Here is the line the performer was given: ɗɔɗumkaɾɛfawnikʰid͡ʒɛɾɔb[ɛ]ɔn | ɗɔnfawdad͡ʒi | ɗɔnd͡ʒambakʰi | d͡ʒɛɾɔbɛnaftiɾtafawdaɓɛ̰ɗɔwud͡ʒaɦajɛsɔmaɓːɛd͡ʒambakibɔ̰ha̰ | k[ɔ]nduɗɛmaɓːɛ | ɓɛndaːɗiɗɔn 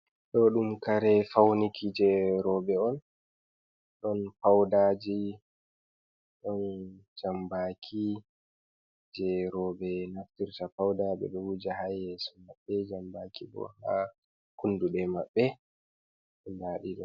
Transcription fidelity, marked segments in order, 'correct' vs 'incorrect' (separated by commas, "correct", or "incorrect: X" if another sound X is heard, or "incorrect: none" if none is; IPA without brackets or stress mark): correct, incorrect: u